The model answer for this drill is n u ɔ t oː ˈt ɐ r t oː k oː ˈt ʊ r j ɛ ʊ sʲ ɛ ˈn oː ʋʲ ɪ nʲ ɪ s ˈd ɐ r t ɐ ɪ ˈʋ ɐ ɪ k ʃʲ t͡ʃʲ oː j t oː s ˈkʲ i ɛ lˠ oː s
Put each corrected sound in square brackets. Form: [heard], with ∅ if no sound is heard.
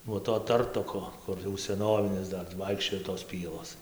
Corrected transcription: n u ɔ t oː ˈt ɐ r t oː k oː [ˈk] ʊ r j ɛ ʊ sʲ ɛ ˈn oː ʋʲ ɪ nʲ ɪ s ˈd ɐ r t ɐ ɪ ˈʋ ɐ ɪ k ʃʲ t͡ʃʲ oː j t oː s [ˈpʲ] i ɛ lˠ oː s